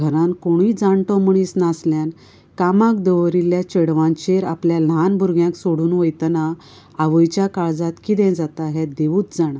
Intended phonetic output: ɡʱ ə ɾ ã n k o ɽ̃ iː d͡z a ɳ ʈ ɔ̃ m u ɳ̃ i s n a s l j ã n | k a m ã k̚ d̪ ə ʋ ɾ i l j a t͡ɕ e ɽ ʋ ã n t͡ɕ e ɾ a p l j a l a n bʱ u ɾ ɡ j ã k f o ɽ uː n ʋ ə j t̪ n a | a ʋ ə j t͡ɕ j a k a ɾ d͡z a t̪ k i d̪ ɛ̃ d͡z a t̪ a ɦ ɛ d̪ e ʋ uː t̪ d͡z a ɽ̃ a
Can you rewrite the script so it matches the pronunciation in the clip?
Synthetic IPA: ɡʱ ə ɾ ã n k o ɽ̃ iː d͡z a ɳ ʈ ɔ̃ m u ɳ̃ i s n a s l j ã n | k a m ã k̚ d̪ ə ʋ ɾ i l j a t͡ɕ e ɽ ʋ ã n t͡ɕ e ɾ a p l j a l a n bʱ u ɾ ɡ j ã k s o ɽ uː n ʋ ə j t̪ n a | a ʋ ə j t͡ɕ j a k a ɭ d͡z a t̪ k i d̪ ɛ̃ d͡z a t̪ a ɦ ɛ d̪ e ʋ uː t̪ d͡z a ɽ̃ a